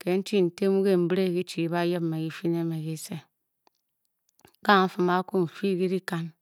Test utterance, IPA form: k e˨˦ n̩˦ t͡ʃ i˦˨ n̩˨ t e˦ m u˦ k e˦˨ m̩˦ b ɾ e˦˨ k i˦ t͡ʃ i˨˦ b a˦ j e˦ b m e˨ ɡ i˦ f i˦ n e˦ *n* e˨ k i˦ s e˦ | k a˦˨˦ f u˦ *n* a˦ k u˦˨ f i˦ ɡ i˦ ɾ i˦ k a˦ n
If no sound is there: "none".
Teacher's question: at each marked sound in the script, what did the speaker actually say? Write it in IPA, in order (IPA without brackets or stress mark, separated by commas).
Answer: m, m